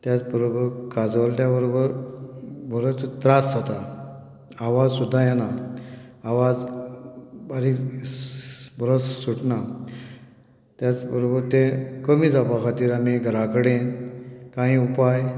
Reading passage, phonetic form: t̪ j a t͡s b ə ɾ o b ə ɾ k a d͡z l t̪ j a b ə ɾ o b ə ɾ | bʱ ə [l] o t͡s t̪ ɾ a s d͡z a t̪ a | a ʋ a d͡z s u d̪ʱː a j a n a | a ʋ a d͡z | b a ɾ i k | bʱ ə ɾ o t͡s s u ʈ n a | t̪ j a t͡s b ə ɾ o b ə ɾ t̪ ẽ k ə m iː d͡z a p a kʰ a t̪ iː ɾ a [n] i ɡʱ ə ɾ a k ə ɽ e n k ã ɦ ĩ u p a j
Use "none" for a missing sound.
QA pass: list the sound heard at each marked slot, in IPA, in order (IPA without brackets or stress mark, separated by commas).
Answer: ɾ, m